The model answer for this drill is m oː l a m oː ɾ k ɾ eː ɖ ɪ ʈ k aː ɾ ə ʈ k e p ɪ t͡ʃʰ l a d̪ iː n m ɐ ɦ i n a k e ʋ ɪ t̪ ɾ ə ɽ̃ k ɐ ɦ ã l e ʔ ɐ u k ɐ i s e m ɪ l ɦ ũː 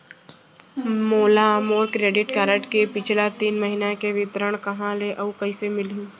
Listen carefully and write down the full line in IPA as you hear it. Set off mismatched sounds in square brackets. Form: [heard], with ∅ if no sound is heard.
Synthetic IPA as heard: m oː l a m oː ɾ k ɾ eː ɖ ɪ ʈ k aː ɾ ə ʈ k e p ɪ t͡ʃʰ l a [t̪] iː n m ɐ ɦ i n a k e ʋ ɪ t̪ ɾ ə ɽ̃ k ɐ ɦ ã l e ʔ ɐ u k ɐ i s e m ɪ l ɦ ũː